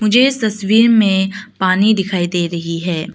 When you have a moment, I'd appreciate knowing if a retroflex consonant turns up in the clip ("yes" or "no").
no